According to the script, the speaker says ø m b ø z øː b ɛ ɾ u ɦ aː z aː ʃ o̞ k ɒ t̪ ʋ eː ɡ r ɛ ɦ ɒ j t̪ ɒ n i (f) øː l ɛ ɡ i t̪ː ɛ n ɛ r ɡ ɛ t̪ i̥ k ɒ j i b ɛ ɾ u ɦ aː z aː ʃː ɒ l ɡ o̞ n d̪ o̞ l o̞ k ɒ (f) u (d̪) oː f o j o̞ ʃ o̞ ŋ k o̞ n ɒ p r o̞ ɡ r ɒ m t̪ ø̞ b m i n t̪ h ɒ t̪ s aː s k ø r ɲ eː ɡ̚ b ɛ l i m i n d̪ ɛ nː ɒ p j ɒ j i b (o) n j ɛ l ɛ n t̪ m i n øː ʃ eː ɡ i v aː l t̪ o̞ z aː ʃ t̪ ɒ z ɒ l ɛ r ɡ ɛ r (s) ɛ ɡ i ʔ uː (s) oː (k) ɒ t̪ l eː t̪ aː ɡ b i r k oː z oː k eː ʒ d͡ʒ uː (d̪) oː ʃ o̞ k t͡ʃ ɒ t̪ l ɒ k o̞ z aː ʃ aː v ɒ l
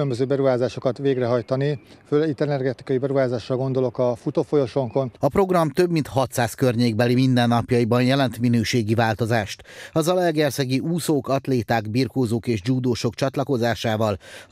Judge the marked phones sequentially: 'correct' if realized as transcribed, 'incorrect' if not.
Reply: correct, correct, incorrect: t̪, incorrect: ɒ, correct, correct, correct, correct

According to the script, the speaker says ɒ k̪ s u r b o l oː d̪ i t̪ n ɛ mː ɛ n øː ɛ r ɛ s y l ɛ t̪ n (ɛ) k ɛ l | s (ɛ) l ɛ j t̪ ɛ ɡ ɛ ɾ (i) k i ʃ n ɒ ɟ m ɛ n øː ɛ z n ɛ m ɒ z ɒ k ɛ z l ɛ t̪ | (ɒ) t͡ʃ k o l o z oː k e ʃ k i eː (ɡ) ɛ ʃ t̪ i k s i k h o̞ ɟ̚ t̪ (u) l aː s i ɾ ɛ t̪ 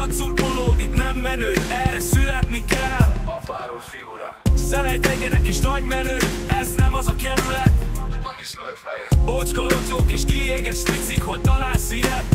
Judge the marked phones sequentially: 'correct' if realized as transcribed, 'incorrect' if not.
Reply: incorrect: i, correct, incorrect: ɛ, incorrect: o, correct, incorrect: ɒ

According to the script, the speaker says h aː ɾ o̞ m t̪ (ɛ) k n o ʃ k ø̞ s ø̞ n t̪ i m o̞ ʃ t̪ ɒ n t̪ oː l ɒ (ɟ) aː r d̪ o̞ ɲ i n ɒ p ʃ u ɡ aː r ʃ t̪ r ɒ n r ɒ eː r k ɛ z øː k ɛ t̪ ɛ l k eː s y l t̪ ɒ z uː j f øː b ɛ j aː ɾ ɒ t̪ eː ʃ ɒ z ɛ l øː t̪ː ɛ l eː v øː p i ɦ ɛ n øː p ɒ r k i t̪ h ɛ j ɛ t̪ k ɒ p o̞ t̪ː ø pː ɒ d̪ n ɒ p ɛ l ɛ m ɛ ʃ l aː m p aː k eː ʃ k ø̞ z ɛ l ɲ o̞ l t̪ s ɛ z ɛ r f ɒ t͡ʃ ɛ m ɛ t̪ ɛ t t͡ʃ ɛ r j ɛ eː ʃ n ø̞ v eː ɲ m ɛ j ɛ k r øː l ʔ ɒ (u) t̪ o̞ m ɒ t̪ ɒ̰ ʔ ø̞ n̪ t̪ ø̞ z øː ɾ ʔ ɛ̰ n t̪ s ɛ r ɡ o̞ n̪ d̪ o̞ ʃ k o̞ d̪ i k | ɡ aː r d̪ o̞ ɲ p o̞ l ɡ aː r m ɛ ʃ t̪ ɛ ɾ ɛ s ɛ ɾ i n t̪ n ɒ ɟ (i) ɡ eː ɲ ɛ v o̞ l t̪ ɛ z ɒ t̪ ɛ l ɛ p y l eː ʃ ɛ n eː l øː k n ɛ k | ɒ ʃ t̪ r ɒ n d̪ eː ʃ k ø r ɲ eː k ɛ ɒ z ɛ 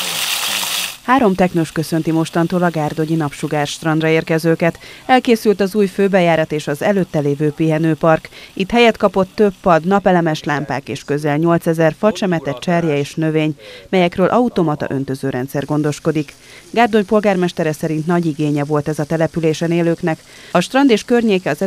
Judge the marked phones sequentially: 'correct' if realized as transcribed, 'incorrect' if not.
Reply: correct, incorrect: ɡ, correct, correct

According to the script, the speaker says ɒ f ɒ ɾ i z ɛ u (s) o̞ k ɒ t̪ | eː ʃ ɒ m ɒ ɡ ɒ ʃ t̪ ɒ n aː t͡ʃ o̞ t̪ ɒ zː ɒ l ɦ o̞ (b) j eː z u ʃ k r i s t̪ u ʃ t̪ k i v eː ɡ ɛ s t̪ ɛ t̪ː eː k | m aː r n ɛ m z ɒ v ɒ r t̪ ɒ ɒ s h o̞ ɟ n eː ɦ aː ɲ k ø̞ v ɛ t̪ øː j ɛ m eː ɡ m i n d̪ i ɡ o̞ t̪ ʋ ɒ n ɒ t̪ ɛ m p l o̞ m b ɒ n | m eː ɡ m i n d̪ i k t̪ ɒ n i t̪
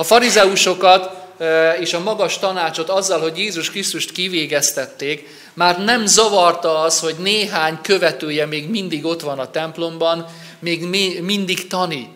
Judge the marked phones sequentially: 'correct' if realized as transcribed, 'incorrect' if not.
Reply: incorrect: ʃ, incorrect: ɟ

